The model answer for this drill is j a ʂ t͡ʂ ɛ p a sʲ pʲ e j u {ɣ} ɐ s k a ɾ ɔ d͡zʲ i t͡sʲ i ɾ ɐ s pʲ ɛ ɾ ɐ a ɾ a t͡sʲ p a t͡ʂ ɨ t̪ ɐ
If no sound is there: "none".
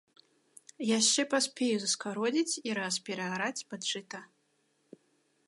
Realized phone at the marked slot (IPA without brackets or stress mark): z